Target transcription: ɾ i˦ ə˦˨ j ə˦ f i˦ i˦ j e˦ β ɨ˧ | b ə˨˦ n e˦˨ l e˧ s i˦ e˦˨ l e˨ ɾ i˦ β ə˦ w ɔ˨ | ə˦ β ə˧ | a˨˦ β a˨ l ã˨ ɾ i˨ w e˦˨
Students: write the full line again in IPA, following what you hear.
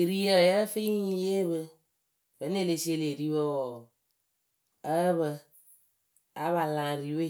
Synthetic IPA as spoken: ɾ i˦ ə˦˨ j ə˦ f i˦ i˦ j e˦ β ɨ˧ | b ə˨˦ n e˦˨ l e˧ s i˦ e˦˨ l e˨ ɾ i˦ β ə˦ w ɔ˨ | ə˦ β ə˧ | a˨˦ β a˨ l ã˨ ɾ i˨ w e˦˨